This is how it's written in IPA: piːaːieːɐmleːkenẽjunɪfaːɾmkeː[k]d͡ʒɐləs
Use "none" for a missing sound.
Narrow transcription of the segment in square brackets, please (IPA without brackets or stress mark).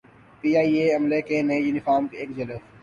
k